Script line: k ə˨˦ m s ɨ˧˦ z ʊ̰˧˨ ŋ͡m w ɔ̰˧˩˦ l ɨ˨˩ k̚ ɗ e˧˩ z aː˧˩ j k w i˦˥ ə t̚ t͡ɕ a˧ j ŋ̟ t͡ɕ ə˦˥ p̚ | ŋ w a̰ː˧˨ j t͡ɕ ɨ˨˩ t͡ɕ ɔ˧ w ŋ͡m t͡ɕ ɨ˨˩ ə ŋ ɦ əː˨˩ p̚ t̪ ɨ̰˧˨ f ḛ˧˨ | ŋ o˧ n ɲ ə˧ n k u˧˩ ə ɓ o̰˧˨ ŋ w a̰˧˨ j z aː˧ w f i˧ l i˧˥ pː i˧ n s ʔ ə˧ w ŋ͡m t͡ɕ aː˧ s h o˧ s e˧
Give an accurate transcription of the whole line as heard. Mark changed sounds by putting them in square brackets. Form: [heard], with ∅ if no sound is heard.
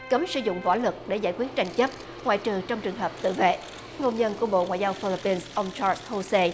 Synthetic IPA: k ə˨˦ m s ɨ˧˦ z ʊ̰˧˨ ŋ͡m [v] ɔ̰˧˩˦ l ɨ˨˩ k̚ ɗ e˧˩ z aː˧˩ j k w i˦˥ ə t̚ t͡ɕ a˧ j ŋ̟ t͡ɕ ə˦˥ p̚ | ŋ w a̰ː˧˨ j t͡ɕ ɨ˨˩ t͡ɕ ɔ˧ w ŋ͡m t͡ɕ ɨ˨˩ ə ŋ ɦ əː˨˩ p̚ t̪ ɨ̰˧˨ [v] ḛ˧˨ | ŋ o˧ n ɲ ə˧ n k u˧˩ ə ɓ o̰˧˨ ŋ w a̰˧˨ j z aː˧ w f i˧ l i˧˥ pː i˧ n s ʔ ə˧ w ŋ͡m t͡ɕ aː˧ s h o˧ s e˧